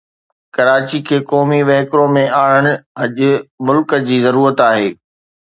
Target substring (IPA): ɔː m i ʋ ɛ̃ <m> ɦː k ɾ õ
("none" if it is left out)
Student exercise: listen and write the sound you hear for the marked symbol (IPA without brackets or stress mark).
none